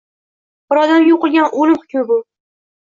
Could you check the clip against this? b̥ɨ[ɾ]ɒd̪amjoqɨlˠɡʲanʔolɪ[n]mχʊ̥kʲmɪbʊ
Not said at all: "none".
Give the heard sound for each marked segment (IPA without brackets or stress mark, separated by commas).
ɾ, none